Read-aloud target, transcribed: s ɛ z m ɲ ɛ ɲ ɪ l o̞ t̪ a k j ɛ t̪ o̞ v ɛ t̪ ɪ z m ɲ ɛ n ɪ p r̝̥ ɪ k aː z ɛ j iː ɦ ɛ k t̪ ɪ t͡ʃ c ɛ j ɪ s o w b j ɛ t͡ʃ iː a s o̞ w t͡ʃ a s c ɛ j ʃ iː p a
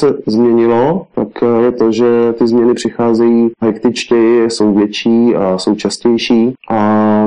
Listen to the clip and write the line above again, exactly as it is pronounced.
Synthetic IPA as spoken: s ɛ z m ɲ ɛ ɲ ɪ l o̞ t̪ a k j ɛ t̪ o̞ ʒ ɛ t̪ ɪ z m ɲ ɛ n ɪ p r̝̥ ɪ x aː z ɛ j iː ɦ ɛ k t̪ ɪ t͡ʃ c ɛ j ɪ s o w v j ɛ t͡ʃ iː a s o̞ w t͡ʃ a s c ɛ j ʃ iː ʔ a